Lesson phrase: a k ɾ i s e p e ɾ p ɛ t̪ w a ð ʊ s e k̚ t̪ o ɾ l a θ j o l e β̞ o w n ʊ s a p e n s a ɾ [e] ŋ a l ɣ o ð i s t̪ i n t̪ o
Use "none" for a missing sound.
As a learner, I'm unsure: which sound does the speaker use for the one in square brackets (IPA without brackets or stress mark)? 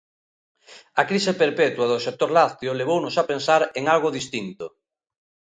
e